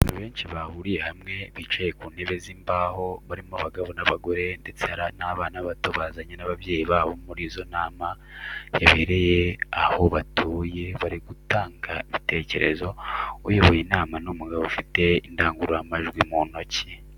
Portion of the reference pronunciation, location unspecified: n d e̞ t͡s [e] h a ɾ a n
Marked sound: correct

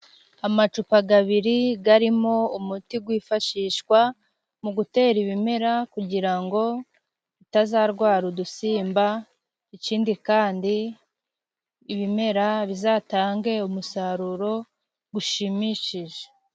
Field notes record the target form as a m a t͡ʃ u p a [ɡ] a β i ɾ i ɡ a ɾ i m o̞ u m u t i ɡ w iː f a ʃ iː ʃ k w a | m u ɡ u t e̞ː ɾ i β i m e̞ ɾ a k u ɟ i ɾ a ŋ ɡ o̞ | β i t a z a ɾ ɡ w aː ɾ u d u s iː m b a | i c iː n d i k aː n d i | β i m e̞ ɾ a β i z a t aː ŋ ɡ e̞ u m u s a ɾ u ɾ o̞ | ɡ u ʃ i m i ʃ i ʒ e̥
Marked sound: correct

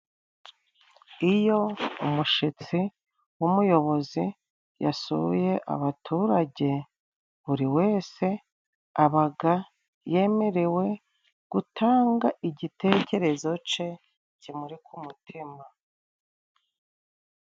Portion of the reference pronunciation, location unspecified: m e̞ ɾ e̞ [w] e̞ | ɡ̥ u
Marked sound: correct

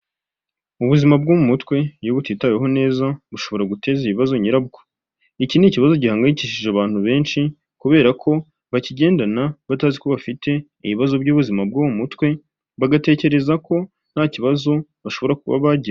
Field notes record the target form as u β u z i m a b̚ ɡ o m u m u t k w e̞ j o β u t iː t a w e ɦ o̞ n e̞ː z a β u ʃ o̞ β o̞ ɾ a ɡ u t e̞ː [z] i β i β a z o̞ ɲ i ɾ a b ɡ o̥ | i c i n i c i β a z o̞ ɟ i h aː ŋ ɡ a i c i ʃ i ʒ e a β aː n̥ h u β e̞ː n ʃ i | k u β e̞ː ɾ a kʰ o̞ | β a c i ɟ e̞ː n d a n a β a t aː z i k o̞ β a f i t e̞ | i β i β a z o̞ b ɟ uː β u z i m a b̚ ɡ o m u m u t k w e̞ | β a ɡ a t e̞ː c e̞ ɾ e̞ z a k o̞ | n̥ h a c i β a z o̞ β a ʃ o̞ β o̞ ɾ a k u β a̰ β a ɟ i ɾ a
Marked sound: correct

